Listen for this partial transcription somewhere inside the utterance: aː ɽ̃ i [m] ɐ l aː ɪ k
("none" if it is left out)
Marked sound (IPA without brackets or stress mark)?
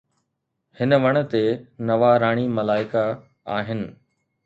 m